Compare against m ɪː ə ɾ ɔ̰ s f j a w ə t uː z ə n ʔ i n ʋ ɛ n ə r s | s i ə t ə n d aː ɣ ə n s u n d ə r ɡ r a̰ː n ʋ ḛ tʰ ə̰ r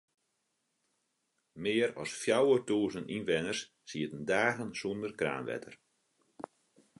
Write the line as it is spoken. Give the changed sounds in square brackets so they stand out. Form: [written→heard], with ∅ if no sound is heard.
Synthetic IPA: m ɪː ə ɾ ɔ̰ s f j a w ə t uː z ə n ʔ i n ʋ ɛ n ə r s | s i ə t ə n d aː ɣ ə n s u n d ə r [ɡ→k] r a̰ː n ʋ [ḛ→ɛ̰] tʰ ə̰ r